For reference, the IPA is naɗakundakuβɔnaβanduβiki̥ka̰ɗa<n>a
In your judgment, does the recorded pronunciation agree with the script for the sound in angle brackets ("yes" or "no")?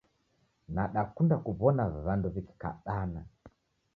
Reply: yes